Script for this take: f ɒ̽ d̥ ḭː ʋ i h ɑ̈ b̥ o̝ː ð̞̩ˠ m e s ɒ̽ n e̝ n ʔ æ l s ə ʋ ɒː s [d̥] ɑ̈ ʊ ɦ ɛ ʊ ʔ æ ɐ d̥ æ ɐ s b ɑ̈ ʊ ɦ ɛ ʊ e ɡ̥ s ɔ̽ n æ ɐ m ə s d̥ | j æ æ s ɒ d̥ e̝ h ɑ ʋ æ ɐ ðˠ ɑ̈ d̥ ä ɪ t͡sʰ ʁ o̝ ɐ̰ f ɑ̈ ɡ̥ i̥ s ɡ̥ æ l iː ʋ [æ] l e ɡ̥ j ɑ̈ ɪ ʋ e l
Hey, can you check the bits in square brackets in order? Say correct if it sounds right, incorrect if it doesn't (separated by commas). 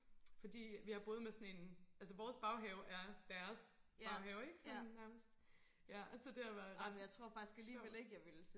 incorrect, incorrect